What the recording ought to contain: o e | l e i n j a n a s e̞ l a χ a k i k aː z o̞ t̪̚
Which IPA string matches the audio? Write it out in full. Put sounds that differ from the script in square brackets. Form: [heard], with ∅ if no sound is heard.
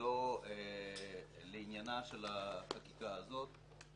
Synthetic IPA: o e | l e i n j a n a [ʃ] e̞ l a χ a k i k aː z o̞ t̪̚